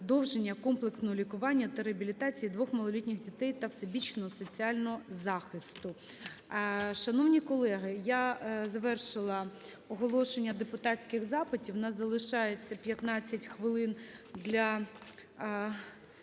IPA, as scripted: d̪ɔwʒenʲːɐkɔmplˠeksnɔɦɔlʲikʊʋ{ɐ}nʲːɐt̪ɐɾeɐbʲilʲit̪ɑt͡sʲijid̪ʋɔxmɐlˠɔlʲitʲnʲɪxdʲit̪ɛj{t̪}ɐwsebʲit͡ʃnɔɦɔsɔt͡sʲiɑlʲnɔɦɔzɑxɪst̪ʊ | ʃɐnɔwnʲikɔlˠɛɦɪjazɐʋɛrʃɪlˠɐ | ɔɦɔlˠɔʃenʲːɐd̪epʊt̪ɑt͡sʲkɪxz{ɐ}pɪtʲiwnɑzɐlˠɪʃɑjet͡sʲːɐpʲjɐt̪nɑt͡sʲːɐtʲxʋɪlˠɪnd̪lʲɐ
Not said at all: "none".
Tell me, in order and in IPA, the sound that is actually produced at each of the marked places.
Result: ɑ, t̪, ɑ

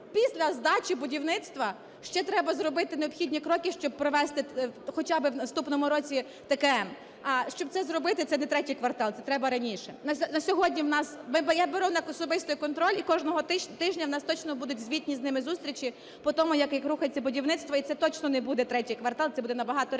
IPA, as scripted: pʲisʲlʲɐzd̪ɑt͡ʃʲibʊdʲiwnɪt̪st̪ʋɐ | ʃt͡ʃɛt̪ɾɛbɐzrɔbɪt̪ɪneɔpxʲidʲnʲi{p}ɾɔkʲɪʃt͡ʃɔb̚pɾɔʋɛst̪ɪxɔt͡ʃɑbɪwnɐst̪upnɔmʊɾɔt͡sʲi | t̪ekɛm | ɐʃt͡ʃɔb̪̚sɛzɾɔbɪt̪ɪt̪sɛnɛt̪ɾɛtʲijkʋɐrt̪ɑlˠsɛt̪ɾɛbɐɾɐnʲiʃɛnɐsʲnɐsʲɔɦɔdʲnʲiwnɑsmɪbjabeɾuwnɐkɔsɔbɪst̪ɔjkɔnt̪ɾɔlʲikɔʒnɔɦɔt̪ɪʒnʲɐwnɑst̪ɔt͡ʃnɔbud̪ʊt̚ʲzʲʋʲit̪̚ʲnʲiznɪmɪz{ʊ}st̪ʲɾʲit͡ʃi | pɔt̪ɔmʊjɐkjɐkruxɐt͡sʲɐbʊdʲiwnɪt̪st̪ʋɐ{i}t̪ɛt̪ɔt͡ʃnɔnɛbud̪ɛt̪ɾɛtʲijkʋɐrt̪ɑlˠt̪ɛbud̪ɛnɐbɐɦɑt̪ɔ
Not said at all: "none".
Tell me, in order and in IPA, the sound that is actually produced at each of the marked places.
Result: k, u, i

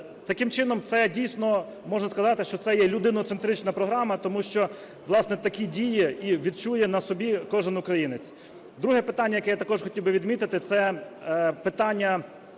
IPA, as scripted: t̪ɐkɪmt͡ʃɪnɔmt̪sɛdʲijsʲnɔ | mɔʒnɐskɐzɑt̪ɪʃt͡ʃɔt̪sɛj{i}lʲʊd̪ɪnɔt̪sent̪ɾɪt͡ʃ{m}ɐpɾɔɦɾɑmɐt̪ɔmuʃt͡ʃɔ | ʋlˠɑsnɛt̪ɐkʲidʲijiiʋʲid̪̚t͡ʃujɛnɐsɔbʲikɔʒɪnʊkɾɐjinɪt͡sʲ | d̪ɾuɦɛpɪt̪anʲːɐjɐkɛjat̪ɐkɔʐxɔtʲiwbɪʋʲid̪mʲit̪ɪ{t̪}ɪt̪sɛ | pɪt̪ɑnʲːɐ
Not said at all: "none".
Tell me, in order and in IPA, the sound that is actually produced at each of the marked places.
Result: ɛ, n, t̪

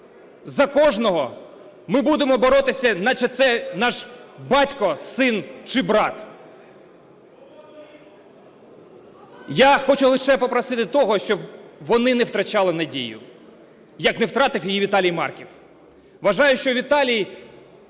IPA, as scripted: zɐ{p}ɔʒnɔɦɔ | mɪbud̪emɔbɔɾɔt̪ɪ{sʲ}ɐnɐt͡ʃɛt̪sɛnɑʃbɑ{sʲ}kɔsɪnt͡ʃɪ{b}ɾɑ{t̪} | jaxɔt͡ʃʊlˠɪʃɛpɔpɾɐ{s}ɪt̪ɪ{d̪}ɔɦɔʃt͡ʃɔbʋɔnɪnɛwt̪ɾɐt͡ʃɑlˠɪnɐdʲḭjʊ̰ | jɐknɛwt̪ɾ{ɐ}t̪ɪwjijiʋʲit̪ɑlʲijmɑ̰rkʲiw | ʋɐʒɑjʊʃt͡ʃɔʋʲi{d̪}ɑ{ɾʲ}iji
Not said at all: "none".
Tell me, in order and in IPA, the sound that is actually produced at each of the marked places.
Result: k, sʲ, tʲ, b, t̪, s, t̪, ɑ, t̪, lʲ

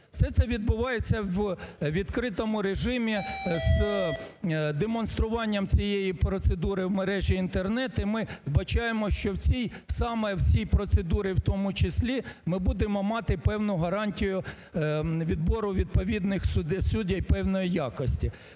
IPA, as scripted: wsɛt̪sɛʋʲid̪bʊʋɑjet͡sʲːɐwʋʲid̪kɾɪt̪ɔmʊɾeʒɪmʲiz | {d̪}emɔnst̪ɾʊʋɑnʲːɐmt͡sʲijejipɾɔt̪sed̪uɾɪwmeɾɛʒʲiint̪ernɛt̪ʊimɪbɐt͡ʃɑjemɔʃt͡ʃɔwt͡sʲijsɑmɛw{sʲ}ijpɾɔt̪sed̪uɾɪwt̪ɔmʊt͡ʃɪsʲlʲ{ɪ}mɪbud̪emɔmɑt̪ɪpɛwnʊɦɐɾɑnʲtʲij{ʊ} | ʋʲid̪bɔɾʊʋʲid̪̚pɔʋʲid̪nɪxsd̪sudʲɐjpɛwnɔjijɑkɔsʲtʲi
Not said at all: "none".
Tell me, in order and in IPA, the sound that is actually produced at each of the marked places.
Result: d̪, sʲ, i, ʊ

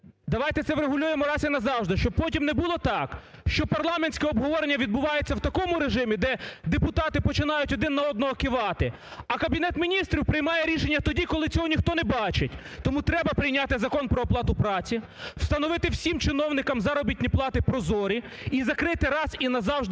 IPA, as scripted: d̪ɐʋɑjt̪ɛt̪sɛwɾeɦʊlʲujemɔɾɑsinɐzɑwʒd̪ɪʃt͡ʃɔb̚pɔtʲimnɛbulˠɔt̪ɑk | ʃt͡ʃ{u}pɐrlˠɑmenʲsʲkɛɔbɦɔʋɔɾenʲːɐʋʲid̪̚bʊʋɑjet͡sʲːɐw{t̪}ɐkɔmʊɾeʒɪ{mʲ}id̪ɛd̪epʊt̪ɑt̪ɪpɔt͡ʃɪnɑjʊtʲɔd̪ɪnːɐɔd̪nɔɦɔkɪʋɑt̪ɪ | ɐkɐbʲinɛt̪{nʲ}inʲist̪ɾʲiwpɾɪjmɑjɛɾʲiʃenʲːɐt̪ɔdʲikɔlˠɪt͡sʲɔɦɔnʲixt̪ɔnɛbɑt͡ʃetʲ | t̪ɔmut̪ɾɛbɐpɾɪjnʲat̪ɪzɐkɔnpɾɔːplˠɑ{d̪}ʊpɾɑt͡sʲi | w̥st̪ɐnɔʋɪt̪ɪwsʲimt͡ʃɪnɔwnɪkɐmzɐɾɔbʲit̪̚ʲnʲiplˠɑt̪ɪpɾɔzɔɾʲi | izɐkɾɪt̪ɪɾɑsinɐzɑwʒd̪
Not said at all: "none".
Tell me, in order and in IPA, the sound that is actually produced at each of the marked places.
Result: ɔ, t̪, mʲ, mʲ, t̪

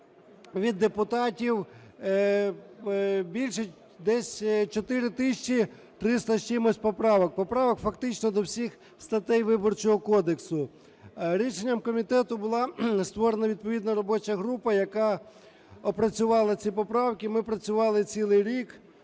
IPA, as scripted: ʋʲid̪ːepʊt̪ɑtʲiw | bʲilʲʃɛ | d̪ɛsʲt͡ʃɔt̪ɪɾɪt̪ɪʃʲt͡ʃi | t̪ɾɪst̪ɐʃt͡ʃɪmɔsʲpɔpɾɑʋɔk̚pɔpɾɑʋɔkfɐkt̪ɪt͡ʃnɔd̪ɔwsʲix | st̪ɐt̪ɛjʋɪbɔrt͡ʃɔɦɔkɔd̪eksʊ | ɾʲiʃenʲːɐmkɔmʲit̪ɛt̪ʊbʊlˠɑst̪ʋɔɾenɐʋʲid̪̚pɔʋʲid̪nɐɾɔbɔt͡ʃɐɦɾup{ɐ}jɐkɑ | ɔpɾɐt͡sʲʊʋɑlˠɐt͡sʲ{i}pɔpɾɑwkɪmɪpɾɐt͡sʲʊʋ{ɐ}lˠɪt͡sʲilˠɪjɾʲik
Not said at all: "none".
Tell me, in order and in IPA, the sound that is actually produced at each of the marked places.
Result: ɐ, i, ɑ

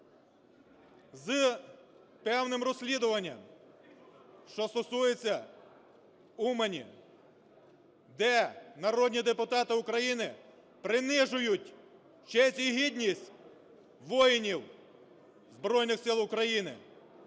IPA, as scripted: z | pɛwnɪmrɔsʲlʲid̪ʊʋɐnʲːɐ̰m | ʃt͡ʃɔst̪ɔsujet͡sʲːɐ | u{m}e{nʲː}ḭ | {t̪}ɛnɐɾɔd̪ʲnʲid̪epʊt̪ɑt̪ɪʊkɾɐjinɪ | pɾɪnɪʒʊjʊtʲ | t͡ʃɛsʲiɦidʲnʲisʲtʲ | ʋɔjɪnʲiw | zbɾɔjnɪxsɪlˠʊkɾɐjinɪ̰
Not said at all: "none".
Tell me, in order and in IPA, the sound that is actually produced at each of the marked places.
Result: m, nʲ, d̪

